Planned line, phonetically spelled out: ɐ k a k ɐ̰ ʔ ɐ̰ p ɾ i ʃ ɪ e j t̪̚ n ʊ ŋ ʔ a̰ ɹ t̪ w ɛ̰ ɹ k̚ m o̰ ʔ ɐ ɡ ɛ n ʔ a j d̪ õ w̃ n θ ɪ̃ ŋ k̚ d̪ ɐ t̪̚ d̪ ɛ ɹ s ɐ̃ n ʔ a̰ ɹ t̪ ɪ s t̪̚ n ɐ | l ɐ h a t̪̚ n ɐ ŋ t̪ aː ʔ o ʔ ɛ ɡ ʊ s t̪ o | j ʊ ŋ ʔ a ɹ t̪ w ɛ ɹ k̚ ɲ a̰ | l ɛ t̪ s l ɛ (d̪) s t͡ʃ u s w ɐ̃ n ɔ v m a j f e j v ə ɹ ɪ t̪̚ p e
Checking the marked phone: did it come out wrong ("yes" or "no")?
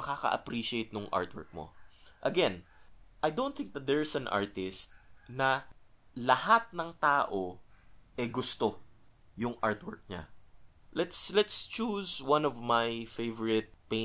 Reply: yes